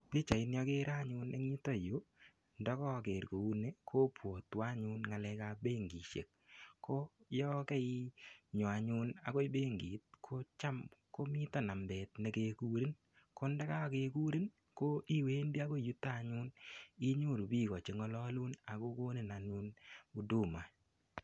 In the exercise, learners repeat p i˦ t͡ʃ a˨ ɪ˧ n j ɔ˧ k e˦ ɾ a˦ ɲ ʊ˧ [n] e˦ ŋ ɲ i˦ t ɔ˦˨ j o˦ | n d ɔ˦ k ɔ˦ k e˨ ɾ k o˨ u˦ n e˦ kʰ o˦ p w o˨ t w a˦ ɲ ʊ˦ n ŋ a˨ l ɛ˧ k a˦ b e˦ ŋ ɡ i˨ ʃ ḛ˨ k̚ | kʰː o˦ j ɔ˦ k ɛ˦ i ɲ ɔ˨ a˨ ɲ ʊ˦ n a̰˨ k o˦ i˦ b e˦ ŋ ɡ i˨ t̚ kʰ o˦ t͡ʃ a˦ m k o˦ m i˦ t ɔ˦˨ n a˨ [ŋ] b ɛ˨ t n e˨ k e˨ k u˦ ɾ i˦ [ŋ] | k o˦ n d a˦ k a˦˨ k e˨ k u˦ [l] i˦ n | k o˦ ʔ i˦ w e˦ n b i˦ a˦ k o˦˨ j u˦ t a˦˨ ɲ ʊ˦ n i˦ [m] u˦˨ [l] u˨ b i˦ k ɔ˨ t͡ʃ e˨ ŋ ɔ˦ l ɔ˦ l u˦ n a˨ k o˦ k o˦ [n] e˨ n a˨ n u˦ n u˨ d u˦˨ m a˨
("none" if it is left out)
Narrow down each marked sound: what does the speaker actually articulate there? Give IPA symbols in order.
n, m, n, ɾ, ɲ, ɾ, n

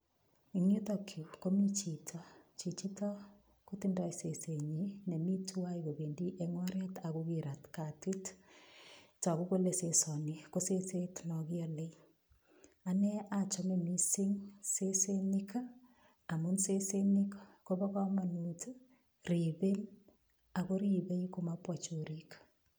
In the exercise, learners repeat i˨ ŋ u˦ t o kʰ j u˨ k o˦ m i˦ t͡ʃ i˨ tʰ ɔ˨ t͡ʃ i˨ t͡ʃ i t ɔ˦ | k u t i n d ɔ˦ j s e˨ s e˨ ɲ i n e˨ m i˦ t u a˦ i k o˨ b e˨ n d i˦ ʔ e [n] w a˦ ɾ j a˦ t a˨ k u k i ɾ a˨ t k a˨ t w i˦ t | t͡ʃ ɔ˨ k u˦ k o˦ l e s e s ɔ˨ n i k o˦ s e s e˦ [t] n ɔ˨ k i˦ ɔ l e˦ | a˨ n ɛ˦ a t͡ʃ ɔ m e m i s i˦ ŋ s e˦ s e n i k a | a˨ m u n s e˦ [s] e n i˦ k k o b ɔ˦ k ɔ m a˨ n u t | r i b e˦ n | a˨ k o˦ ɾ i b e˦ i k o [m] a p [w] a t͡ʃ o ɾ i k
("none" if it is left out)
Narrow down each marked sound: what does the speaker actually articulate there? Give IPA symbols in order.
ŋ, t, s, m, w

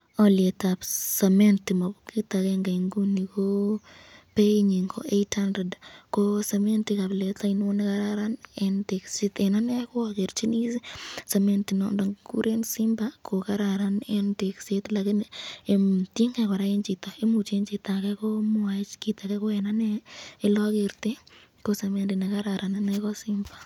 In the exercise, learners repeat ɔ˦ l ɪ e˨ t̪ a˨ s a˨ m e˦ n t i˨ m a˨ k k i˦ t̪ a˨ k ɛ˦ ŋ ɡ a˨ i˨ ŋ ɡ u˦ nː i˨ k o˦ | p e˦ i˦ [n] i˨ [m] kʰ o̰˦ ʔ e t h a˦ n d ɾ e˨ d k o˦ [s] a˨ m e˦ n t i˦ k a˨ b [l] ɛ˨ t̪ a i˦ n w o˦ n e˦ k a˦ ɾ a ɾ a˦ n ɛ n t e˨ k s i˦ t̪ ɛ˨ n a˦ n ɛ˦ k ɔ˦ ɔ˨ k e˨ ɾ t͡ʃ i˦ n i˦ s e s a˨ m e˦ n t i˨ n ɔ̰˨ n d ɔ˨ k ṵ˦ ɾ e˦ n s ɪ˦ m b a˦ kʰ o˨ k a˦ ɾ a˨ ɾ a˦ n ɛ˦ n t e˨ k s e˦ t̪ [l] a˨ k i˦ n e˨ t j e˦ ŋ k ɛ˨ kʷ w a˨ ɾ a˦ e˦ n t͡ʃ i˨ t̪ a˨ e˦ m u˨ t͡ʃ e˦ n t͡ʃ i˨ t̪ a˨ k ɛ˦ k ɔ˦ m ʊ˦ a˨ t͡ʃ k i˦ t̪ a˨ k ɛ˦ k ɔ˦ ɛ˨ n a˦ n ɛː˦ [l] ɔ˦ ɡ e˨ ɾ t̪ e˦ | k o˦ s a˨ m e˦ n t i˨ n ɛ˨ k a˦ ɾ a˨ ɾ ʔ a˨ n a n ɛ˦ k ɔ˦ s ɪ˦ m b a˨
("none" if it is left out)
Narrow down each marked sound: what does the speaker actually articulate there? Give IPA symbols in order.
ɲ, ŋ, s, l, l, l

